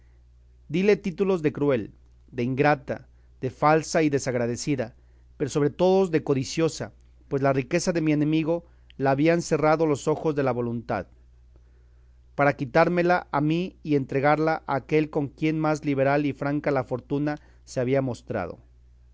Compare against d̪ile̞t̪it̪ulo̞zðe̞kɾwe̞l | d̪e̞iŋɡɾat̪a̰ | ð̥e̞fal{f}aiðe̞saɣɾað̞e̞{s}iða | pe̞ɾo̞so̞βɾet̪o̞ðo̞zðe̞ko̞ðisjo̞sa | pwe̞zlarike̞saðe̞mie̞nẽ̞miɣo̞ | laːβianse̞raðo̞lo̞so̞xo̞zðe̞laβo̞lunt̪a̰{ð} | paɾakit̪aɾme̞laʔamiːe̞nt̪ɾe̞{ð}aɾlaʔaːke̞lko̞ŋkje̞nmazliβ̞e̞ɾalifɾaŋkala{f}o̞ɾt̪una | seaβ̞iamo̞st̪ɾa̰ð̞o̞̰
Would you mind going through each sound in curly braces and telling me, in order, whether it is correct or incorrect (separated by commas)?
incorrect, correct, correct, incorrect, correct